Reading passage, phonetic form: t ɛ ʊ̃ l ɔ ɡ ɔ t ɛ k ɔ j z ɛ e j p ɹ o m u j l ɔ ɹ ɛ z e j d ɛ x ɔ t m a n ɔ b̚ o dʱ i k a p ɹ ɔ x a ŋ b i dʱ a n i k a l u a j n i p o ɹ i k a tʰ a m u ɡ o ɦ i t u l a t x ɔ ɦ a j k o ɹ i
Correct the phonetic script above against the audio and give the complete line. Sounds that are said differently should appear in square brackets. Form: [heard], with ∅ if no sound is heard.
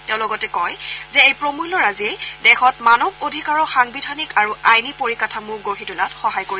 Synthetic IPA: t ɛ ʊ̃ l ɔ ɡ ɔ t ɛ k ɔ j z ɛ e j p ɹ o m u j l ɔ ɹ [a] z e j d ɛ x ɔ t m a n ɔ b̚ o dʱ i k a [∅] ɹ ɔ x a ŋ b i dʱ a n i k a [ɹ] u a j n i p o ɹ i k a tʰ a m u ɡ o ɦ i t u l a t x ɔ ɦ a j k o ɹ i

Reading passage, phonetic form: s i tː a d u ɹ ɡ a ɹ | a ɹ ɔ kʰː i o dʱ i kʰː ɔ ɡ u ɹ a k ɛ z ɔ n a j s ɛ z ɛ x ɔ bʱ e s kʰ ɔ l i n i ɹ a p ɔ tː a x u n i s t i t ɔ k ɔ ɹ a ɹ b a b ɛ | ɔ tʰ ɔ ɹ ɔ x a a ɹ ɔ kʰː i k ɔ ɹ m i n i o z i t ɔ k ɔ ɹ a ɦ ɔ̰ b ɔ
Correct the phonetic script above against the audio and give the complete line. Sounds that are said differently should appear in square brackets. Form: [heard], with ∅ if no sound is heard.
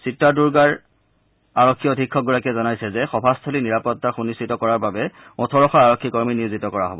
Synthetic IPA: s i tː a d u ɹ ɡ a ɹ | a ɹ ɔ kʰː i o dʱ i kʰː ɔ ɡ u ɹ a k ɛ z ɔ n a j s ɛ z ɛ x ɔ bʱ [a] s [tʰ] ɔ l i n i ɹ a p ɔ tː a x u n i s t i t ɔ k ɔ ɹ a ɹ b a b ɛ | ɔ tʰ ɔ ɹ ɔ x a a ɹ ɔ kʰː i k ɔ ɹ m i n i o z i t ɔ k ɔ ɹ a ɦ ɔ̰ b ɔ

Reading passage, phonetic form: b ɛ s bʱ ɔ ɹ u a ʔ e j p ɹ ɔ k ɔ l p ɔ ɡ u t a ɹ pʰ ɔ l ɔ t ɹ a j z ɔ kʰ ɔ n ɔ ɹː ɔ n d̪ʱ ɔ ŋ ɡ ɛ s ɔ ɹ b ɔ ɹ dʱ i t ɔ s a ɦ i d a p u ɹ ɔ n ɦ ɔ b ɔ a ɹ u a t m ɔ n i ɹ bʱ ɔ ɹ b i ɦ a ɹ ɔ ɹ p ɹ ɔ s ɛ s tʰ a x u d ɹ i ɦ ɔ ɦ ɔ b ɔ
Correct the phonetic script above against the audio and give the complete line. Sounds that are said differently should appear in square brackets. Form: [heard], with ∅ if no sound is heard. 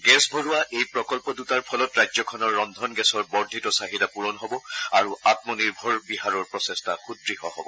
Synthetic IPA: [ɡ] ɛ s bʱ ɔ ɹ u a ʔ e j p ɹ ɔ k ɔ l p ɔ [d] u t a ɹ pʰ ɔ l ɔ t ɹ a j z ɔ kʰ ɔ n ɔ ɹː ɔ n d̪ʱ ɔ [n] ɡ ɛ s ɔ ɹ b ɔ ɹ dʱ i t ɔ s a ɦ i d a p u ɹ ɔ n ɦ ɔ b ɔ a ɹ u a t m ɔ n i ɹ bʱ ɔ ɹ b i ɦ a ɹ ɔ ɹ p ɹ ɔ s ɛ s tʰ a x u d ɹ i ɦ ɔ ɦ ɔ b ɔ

